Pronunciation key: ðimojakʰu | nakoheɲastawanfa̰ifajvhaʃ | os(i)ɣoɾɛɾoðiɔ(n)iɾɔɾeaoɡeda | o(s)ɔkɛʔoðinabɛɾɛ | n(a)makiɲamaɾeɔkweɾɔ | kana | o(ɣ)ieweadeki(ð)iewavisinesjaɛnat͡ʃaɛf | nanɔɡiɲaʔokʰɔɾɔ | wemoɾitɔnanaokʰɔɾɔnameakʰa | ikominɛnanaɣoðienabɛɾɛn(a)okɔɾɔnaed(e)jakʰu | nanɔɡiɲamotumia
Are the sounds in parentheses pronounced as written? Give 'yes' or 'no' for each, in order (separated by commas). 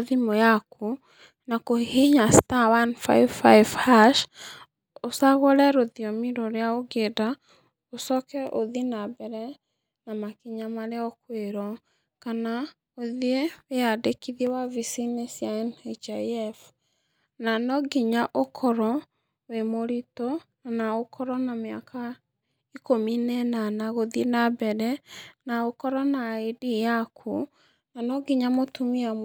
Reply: no, no, yes, yes, no, yes, yes, no